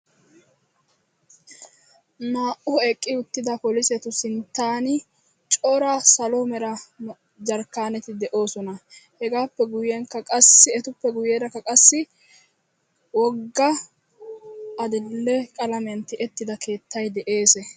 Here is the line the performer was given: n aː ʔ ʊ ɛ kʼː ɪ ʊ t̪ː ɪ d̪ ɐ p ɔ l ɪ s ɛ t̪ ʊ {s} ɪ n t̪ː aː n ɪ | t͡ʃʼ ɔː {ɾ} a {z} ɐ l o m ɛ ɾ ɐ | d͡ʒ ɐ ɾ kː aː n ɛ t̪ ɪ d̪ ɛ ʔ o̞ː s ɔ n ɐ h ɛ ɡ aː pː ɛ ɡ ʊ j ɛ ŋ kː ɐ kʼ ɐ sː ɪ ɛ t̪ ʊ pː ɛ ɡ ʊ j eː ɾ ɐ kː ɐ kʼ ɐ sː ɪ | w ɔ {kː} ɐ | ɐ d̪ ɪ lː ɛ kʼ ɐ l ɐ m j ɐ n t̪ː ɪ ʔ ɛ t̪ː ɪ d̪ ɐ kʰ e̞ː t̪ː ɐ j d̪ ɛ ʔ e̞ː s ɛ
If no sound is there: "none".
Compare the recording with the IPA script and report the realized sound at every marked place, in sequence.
s, ɾ, s, ɡː

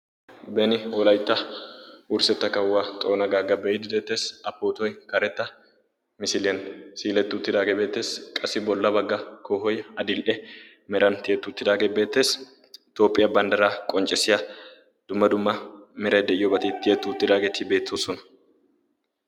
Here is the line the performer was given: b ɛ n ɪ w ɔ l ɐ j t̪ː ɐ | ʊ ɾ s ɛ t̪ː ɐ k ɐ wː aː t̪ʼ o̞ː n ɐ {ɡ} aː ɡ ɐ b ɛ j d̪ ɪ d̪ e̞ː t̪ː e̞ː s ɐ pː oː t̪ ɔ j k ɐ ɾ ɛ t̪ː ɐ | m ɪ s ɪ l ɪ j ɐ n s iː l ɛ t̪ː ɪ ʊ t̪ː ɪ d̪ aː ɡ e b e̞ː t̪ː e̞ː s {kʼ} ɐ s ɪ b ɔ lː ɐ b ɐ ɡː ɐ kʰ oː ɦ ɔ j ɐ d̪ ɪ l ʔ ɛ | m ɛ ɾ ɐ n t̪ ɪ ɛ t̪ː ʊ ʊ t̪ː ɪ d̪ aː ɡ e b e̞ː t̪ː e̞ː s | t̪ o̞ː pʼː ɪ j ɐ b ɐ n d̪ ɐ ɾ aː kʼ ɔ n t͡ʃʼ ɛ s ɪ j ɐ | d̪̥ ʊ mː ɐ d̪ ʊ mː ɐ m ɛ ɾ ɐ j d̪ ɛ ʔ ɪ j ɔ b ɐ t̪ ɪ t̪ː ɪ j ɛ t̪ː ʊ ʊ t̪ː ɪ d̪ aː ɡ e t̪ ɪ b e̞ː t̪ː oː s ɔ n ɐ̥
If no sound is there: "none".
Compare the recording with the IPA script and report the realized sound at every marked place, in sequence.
ɡ, kʼ

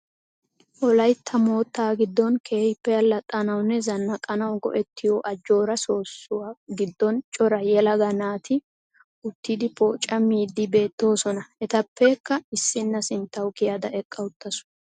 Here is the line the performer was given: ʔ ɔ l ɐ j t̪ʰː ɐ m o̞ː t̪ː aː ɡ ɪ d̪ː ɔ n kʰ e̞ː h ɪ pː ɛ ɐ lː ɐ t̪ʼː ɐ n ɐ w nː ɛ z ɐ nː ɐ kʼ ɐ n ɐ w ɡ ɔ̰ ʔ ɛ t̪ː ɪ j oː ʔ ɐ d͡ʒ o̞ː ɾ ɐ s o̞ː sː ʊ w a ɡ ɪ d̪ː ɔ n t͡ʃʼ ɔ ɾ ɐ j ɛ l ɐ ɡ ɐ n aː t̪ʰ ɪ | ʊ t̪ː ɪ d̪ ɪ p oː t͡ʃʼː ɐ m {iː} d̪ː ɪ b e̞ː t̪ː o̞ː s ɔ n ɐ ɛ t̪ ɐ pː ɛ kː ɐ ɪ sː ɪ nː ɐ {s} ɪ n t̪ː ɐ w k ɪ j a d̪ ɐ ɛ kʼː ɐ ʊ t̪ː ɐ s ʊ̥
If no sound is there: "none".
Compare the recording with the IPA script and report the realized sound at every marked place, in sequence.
iː, s

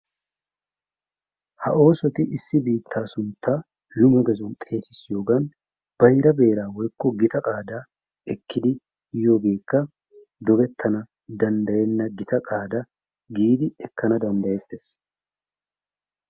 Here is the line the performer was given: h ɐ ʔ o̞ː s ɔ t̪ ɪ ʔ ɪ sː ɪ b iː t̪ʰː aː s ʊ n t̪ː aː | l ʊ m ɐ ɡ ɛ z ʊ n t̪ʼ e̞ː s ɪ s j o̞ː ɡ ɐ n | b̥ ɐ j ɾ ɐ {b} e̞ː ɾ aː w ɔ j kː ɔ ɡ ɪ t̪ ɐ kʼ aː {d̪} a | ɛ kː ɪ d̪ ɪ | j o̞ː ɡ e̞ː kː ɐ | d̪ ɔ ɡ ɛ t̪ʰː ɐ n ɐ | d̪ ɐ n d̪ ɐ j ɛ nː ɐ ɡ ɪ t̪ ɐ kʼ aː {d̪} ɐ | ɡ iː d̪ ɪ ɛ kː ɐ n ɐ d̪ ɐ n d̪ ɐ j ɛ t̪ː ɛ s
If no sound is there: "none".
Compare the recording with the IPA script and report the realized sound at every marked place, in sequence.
b, d̪, d̪

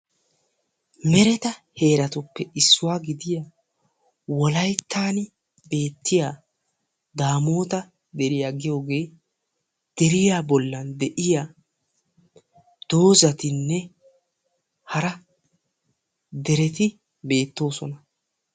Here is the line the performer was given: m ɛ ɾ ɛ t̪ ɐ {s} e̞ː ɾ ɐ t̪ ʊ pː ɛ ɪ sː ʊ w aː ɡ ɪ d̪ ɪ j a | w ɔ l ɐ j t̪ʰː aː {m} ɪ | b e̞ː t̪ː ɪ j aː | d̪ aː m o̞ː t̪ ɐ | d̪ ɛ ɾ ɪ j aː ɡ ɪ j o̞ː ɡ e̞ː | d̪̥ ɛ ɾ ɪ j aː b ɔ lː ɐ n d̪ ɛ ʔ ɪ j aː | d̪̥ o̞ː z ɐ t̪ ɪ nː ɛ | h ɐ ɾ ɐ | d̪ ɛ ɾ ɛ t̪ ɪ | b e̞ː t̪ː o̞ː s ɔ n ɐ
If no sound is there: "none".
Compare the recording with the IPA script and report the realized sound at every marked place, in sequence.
h, n

